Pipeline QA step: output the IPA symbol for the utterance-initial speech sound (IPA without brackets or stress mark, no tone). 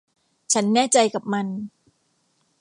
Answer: t͡ɕʰ